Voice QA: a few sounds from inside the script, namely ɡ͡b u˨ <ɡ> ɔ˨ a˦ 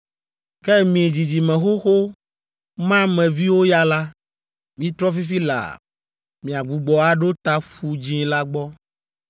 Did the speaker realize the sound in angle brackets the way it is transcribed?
no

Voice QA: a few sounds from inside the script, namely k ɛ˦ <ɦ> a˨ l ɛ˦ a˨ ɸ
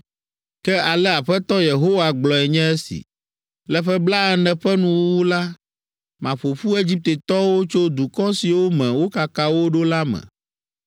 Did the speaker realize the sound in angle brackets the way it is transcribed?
no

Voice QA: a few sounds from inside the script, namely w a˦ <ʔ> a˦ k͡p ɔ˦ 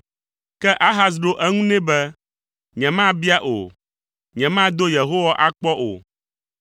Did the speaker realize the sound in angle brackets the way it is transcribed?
yes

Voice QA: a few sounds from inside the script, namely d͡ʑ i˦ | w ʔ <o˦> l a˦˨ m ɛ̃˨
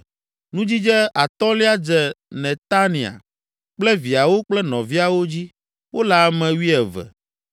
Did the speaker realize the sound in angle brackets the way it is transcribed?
yes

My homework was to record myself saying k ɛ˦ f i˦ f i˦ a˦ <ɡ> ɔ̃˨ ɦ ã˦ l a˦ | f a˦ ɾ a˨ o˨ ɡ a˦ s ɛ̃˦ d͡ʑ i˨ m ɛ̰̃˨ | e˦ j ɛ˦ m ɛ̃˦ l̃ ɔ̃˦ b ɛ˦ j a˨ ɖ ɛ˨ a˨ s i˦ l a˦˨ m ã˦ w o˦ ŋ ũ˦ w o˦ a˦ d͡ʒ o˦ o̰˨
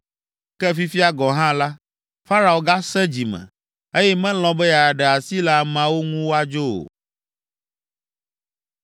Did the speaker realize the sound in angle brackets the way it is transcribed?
yes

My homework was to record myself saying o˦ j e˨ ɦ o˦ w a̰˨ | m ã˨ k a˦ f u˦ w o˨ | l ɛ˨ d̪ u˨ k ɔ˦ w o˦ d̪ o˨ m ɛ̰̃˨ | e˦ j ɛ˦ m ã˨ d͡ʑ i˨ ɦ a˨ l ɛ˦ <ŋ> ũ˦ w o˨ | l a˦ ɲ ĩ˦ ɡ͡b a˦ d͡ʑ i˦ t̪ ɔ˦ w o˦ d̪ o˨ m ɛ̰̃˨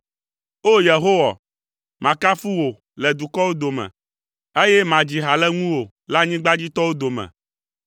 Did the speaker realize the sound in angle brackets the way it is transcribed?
yes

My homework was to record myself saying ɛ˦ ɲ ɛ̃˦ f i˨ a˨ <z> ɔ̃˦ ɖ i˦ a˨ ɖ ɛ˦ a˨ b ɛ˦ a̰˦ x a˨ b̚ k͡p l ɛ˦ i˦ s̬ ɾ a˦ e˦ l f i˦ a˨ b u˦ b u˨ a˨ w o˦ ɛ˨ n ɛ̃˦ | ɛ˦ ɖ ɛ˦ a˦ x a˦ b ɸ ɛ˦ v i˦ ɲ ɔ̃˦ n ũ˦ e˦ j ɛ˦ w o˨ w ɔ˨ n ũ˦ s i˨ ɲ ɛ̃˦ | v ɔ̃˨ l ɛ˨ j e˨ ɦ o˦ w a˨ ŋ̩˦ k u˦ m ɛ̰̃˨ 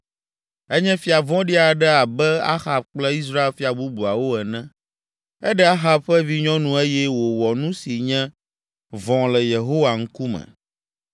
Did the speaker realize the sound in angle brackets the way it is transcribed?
no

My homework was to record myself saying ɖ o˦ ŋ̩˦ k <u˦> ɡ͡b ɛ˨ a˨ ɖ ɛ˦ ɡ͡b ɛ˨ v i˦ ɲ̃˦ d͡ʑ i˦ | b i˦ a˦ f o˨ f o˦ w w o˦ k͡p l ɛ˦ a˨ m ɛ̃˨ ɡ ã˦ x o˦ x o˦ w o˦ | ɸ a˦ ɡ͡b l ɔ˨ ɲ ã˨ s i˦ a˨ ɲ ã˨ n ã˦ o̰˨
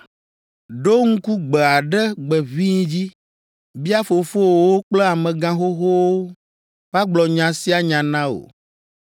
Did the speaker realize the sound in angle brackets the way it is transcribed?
yes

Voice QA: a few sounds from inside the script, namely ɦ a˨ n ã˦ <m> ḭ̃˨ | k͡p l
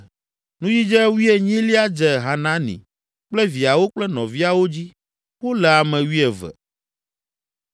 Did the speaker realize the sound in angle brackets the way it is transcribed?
no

